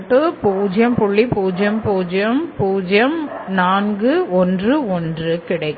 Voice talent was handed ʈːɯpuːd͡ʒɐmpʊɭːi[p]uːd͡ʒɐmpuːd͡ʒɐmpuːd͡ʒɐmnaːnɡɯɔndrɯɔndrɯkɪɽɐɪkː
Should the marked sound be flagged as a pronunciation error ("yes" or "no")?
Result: no